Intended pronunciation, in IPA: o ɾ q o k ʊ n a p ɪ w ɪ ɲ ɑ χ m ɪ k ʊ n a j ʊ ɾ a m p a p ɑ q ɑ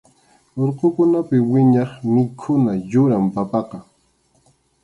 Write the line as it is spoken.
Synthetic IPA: o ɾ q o k ʊ n a p ɪ w ɪ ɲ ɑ χ m ɪ kʰ ʊ n a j ʊ ɾ a m p a p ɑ q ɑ